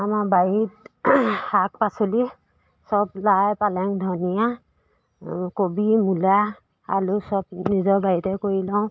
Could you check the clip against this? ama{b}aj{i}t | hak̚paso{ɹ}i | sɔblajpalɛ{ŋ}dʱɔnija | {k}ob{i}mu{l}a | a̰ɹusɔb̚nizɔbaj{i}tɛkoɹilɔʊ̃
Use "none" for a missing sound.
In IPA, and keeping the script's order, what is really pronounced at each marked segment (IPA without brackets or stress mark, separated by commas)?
b, i, l, ŋ, k, i, l, i